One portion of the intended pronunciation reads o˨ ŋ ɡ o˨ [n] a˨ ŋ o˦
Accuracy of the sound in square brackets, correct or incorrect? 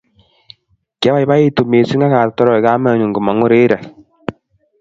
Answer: incorrect